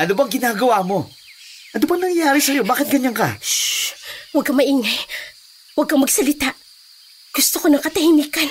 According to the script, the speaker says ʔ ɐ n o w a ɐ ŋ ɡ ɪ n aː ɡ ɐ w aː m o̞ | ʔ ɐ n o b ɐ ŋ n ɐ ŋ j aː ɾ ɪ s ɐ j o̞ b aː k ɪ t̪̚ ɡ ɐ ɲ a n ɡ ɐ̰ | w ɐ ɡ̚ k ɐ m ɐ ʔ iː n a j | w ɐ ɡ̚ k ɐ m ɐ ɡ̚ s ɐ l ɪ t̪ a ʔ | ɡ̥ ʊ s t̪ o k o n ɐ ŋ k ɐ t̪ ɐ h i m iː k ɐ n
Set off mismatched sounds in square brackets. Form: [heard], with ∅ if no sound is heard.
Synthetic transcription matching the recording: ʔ ɐ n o [b] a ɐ ŋ ɡ ɪ n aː ɡ ɐ w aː m o̞ | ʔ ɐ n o b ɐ ŋ n ɐ ŋ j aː ɾ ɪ s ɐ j o̞ b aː k ɪ t̪̚ ɡ ɐ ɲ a n [k] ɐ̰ | w ɐ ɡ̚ k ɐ m ɐ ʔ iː [ŋ] a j | w ɐ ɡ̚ k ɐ m ɐ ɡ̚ s ɐ l ɪ t̪ a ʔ | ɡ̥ ʊ s t̪ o k o n ɐ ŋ k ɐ t̪ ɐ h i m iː k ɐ n